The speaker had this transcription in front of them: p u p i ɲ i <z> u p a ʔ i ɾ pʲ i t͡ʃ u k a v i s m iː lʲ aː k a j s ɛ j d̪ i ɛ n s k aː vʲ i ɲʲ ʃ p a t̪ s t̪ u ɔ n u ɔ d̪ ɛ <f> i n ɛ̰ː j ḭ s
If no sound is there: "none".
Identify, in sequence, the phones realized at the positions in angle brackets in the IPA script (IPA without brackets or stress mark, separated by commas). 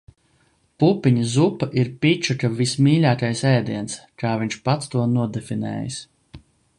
z, f